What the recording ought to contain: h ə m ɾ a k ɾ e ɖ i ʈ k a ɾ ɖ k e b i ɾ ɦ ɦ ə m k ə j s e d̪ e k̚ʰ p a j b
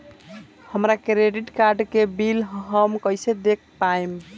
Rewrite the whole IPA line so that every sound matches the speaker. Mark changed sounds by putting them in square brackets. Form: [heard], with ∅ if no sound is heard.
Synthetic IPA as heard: h ə m ɾ a k ɾ e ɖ i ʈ k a ɾ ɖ k e b i [l] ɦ ɦ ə m k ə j s e d̪ e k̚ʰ p a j [m]

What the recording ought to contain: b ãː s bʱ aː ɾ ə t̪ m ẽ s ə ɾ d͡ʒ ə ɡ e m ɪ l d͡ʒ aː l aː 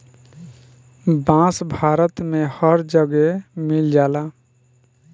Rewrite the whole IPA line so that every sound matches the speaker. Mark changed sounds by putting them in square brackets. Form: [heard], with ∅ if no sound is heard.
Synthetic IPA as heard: b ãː s bʱ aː ɾ ə t̪ m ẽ [h] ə ɾ d͡ʒ ə ɡ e m ɪ l d͡ʒ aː l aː

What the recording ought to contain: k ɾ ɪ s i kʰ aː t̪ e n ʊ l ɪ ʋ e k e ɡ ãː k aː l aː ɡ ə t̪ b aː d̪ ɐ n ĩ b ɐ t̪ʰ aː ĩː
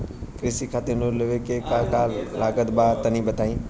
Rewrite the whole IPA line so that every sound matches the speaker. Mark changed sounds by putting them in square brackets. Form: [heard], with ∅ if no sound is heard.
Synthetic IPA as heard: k ɾ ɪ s i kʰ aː t̪ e n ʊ l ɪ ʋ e k e [k] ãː k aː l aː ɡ ə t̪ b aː [t̪] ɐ n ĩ b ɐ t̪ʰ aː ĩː

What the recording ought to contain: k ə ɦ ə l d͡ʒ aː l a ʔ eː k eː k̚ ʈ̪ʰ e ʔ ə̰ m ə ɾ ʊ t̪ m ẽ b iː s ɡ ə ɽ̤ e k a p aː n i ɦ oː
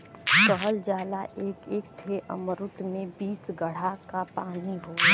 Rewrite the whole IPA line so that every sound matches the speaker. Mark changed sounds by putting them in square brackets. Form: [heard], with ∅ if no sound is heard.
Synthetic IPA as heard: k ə ɦ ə l d͡ʒ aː l a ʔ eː k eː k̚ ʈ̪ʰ e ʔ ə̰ m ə ɾ ʊ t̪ m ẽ b iː s ɡ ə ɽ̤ [a] k a p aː n i ɦ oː

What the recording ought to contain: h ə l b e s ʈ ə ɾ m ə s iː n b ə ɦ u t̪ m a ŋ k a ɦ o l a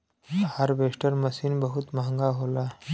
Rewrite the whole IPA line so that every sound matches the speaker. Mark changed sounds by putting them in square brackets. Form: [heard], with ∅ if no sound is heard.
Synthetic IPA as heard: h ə [ɾ] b e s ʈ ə ɾ m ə s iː n b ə ɦ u t̪ m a ŋ [ɡ] a ɦ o l a

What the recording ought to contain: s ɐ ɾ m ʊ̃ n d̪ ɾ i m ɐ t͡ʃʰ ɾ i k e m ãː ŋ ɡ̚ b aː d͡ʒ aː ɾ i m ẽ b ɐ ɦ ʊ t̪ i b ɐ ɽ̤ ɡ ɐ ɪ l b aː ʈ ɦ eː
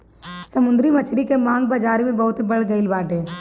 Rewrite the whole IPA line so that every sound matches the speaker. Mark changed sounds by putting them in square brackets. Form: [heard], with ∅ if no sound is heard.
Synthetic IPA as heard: s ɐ [∅] m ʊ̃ n d̪ ɾ i m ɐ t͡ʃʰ ɾ i k e m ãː ŋ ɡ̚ b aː d͡ʒ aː ɾ i m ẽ b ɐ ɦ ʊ t̪ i b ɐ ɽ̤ ɡ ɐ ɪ l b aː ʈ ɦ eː

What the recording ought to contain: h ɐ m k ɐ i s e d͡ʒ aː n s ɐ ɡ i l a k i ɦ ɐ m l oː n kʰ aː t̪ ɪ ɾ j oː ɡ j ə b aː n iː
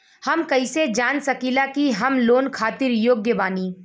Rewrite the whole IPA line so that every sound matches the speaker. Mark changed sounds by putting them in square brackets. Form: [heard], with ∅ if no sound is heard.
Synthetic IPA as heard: h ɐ m k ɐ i s e d͡ʒ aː n s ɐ [k] i l a k i ɦ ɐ m l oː n kʰ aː t̪ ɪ ɾ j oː ɡ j ə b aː n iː

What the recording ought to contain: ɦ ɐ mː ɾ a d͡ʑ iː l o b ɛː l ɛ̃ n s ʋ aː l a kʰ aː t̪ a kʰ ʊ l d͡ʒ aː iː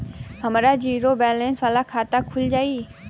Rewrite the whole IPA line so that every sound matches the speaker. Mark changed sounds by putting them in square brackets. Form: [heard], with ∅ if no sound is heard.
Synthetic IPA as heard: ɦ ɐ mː ɾ a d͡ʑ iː [ɾ] o b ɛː l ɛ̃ n s ʋ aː l a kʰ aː t̪ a kʰ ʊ l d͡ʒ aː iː

